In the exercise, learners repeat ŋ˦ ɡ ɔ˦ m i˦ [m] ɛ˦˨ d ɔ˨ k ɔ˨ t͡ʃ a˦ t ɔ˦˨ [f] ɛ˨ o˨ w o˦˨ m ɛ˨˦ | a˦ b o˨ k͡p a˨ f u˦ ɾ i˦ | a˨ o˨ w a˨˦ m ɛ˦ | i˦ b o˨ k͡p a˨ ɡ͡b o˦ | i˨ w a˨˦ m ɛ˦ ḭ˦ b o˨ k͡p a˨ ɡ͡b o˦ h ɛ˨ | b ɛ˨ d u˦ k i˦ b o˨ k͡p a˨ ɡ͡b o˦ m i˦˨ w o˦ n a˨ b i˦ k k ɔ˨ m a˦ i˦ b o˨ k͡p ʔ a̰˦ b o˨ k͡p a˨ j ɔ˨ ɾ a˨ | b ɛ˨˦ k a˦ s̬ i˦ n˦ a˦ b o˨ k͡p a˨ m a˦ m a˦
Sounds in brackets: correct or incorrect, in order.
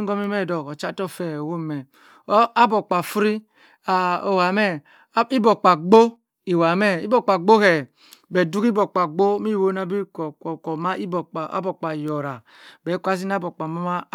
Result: correct, correct

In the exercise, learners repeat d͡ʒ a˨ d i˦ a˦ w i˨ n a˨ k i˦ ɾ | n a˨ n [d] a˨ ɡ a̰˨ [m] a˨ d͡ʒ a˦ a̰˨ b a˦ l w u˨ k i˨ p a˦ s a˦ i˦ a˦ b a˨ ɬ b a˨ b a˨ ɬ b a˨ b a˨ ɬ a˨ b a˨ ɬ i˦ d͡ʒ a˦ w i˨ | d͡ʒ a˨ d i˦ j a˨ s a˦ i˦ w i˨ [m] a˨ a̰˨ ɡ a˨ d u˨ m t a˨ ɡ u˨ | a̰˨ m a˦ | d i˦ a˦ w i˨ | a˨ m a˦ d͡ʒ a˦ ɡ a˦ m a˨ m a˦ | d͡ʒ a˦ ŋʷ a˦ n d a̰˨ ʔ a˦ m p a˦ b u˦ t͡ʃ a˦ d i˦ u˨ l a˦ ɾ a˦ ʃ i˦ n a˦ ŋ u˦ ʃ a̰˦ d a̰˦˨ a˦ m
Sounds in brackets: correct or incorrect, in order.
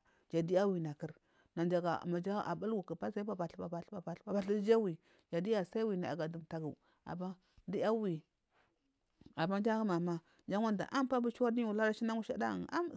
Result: incorrect: d͡ʒ, correct, incorrect: n

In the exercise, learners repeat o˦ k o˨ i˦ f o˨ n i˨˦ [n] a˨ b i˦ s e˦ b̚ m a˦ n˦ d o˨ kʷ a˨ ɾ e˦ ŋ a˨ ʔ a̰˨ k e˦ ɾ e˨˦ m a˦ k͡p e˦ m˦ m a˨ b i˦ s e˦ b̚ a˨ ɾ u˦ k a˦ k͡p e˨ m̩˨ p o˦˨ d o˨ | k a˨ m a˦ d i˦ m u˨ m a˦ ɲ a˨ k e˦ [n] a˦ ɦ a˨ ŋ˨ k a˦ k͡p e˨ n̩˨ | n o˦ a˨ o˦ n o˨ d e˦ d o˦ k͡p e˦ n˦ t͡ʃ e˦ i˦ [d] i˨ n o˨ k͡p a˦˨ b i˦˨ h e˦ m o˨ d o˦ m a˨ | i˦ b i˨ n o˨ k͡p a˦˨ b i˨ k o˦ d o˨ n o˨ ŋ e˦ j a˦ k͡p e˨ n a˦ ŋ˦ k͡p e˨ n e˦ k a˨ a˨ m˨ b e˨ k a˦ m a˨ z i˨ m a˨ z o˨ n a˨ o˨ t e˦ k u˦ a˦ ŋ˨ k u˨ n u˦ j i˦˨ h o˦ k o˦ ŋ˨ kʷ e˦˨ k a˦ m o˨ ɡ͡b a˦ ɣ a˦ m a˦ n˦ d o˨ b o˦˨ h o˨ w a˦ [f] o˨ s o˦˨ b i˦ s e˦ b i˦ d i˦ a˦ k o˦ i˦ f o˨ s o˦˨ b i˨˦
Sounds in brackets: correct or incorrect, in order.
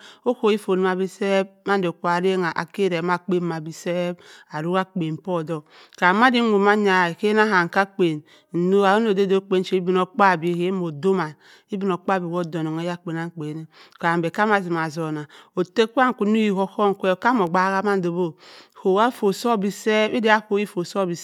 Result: incorrect: m, correct, incorrect: b, correct

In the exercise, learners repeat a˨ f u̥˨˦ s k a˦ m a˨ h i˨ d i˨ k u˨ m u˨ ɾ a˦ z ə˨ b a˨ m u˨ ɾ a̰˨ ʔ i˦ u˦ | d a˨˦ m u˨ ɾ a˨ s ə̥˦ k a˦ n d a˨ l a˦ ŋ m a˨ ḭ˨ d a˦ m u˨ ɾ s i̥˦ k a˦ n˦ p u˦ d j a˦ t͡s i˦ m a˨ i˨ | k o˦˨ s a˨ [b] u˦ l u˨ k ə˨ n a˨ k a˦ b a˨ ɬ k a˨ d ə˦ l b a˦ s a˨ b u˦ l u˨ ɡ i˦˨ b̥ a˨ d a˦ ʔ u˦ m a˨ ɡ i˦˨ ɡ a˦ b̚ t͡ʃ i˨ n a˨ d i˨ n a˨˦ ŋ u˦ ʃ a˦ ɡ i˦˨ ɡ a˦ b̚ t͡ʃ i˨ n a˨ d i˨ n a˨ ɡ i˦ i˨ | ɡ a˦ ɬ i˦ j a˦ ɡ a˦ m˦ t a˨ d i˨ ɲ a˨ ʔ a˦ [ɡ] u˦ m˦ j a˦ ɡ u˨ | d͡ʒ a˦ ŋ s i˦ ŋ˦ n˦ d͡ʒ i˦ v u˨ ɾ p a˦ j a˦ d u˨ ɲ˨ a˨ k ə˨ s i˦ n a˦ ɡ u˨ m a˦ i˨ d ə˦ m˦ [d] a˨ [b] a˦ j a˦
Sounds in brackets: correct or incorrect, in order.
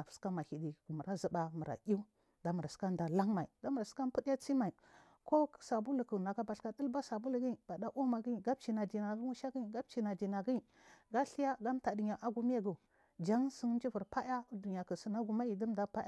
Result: correct, correct, correct, incorrect: p

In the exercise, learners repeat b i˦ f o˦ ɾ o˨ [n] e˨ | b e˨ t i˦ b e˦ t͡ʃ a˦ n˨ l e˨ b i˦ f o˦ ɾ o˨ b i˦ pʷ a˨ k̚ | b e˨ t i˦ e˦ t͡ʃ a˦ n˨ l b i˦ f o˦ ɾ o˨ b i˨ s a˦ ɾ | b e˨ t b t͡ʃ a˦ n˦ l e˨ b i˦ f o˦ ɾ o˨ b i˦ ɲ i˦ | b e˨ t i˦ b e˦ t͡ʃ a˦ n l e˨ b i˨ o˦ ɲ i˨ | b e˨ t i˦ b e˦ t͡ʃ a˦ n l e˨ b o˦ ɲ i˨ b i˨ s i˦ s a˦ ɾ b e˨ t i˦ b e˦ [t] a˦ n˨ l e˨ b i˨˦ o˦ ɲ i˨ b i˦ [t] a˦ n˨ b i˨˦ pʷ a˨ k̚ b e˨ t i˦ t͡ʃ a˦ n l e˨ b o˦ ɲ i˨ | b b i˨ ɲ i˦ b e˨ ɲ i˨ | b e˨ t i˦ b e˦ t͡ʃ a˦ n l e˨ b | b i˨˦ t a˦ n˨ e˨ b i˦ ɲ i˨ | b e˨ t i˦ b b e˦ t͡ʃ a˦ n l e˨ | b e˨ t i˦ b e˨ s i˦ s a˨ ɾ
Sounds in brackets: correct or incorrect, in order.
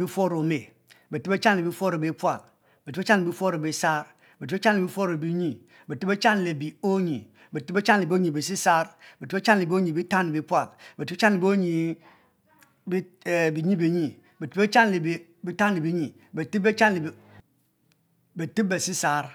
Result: incorrect: m, incorrect: t͡ʃ, correct

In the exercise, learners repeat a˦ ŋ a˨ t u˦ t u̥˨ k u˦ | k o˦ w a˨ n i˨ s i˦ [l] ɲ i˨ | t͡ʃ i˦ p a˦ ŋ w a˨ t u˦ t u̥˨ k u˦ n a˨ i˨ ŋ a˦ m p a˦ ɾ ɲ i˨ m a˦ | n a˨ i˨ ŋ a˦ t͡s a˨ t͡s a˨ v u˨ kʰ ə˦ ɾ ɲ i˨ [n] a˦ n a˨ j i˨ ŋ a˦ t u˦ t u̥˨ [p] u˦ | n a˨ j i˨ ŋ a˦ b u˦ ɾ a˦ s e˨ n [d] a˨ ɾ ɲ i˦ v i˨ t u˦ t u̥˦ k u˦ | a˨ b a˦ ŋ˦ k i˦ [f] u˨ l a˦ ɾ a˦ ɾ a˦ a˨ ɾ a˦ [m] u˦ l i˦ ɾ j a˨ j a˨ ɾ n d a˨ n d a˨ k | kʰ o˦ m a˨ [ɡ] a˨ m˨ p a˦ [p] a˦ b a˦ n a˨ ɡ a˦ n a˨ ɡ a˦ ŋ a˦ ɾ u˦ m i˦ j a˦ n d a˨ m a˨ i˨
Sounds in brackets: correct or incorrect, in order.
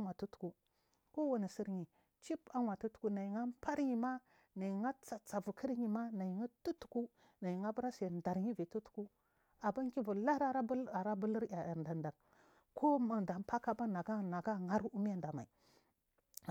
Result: incorrect: ɾ, incorrect: m, incorrect: k, correct, incorrect: v, incorrect: b, incorrect: d, incorrect: k

